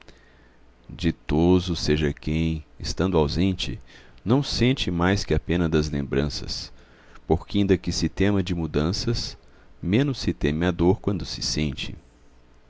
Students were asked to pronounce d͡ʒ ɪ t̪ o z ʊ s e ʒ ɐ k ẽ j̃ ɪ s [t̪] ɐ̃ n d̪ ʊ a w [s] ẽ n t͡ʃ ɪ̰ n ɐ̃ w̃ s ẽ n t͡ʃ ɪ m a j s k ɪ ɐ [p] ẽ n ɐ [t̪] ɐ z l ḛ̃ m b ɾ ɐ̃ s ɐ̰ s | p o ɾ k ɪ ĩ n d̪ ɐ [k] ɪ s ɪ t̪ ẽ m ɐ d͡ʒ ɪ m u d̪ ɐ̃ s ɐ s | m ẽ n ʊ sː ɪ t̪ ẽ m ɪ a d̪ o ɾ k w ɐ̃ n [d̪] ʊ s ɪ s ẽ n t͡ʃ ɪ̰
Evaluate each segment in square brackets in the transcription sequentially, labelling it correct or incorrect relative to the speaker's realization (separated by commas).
correct, incorrect, correct, incorrect, correct, correct